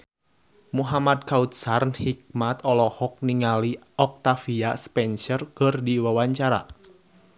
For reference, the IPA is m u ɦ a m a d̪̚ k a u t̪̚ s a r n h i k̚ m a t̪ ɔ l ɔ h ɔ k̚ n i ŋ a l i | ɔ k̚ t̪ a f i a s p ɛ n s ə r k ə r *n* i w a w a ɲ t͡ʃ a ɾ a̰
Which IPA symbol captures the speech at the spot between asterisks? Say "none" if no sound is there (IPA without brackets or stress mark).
d